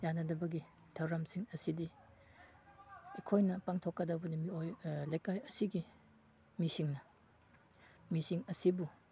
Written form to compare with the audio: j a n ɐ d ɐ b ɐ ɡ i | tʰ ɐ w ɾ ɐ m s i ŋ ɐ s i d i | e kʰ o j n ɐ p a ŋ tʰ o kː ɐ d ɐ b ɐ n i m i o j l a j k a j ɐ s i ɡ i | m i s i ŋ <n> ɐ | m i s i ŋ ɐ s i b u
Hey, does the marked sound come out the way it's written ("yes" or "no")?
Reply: yes